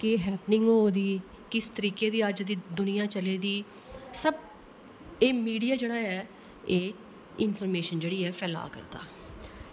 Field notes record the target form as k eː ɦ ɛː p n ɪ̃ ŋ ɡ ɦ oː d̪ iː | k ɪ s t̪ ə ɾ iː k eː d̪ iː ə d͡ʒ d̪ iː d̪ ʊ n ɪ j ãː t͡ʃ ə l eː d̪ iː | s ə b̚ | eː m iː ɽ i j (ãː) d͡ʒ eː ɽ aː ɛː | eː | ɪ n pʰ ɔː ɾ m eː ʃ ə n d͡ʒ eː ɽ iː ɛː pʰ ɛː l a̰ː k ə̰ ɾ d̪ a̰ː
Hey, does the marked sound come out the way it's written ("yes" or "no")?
no